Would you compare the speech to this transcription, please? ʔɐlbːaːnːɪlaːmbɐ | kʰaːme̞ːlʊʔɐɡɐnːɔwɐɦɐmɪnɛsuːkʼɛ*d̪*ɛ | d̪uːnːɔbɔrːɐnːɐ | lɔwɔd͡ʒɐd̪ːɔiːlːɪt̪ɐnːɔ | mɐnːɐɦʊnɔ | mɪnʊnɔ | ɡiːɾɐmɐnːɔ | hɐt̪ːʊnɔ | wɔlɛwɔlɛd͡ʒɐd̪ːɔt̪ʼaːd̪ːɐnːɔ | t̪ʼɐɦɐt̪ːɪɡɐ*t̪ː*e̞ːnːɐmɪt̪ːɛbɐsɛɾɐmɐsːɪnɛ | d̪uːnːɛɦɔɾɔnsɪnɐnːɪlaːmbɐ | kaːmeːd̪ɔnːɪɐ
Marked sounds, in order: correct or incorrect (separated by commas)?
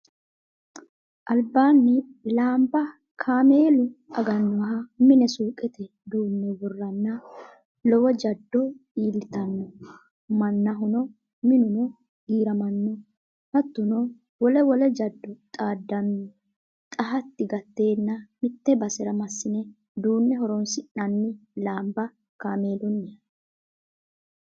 incorrect, correct